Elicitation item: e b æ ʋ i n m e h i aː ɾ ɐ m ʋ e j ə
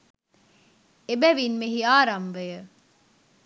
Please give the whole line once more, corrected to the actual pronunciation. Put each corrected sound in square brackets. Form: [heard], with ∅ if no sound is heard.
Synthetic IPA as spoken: e b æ ʋ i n m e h i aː ɾ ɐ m ʋ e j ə